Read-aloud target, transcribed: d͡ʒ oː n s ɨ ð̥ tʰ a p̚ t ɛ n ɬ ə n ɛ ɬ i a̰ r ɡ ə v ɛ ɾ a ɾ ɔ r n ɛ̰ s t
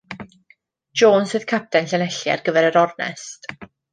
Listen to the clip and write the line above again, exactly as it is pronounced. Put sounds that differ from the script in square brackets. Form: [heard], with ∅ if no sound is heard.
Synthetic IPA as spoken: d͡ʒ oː n s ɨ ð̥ [kʰ] a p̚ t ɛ n ɬ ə n ɛ ɬ [j] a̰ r ɡ ə v ɛ ɾ [ə] ɾ ɔ r n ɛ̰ s t